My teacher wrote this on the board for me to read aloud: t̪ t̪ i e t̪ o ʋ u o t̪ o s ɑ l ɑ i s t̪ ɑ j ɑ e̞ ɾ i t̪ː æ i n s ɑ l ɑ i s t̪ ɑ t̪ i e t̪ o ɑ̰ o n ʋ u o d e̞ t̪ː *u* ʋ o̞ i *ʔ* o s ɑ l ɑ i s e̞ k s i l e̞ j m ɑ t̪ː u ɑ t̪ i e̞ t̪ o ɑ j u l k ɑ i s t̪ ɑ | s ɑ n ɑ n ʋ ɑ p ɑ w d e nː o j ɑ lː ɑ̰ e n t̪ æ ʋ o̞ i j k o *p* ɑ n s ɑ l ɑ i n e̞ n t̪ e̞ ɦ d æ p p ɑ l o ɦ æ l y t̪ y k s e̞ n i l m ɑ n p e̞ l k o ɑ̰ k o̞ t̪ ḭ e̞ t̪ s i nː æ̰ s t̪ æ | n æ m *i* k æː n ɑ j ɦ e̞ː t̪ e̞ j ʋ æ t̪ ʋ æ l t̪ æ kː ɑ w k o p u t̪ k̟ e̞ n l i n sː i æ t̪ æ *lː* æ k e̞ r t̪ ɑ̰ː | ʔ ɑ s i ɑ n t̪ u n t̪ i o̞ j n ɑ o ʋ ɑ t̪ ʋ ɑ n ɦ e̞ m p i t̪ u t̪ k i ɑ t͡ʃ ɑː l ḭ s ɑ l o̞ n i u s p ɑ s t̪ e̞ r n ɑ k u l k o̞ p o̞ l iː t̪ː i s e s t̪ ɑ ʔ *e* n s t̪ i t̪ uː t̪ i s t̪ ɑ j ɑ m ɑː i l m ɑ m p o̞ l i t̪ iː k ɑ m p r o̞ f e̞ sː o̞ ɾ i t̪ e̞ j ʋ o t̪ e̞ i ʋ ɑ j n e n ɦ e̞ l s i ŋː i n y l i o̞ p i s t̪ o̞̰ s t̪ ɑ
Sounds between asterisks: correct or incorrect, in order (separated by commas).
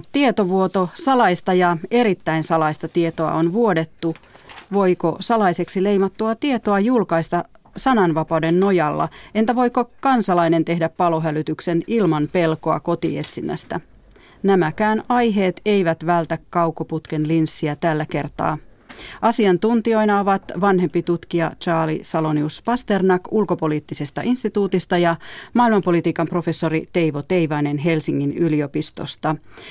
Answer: correct, incorrect, incorrect, incorrect, correct, incorrect